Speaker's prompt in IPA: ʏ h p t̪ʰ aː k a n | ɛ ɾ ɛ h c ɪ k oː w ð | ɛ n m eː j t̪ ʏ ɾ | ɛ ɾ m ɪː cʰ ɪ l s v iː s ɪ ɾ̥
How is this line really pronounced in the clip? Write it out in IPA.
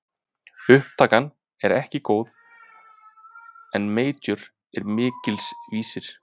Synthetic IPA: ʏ h p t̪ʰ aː k a n | ɛ ɾ ɛ h c ɪ k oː w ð | ɛ n m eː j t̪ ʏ ɾ | ɛ ɾ m ɪː c ɪ l s v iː s ɪ ɾ̥